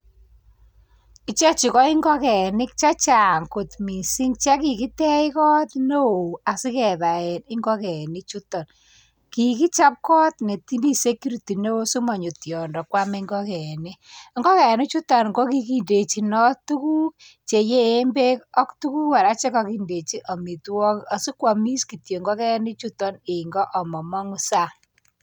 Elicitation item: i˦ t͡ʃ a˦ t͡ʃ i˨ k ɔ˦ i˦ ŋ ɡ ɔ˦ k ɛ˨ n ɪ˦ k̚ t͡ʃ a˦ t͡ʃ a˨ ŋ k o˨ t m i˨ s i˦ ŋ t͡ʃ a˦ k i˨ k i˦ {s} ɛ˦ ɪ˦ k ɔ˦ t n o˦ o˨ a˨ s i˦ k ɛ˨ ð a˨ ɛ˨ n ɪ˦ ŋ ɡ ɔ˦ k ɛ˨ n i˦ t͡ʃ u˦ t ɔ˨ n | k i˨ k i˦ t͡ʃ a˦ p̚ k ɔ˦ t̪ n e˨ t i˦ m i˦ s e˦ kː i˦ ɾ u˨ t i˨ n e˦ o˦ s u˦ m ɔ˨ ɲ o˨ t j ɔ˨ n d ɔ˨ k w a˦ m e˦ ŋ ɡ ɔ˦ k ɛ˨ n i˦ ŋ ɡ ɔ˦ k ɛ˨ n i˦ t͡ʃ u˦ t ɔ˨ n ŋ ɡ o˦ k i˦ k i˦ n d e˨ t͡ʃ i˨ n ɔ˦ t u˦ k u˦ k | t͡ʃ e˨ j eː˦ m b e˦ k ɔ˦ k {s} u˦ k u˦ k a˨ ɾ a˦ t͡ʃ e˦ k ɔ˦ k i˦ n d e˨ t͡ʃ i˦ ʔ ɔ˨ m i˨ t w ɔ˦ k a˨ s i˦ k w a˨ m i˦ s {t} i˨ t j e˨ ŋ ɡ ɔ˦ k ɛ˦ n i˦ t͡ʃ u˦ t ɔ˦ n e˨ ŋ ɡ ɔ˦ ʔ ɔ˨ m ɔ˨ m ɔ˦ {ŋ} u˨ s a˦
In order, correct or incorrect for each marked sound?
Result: incorrect, incorrect, incorrect, correct

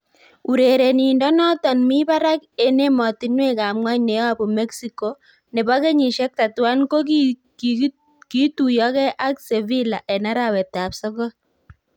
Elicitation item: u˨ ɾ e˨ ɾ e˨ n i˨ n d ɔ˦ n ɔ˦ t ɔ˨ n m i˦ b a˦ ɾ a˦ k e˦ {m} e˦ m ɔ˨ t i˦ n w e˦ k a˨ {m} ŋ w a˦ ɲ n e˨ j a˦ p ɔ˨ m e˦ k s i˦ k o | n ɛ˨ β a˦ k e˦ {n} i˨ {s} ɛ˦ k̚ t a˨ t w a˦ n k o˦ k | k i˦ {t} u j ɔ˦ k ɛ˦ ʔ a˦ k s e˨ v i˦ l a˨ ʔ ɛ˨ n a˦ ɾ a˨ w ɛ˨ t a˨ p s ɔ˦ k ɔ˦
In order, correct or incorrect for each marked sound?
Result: incorrect, correct, incorrect, incorrect, correct

